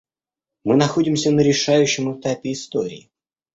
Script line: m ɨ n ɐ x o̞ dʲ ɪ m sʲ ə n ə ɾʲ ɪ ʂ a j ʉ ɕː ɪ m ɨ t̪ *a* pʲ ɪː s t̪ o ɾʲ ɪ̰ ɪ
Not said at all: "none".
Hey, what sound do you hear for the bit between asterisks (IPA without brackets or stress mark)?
a